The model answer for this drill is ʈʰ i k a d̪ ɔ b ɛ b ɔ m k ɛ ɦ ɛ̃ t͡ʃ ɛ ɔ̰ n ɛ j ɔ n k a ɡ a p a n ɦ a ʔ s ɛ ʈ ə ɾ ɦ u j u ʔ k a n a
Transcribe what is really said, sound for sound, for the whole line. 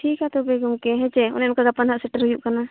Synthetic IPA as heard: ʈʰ i k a t̪ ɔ b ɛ ɡ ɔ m k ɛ ɦ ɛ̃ t͡ʃ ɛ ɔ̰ n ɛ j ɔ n k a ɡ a p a n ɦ a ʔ s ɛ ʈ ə ɾ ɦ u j u ʔ k a n a